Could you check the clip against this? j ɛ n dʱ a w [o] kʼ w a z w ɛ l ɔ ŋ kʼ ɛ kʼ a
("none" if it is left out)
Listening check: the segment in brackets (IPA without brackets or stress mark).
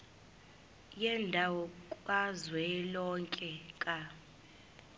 ɔ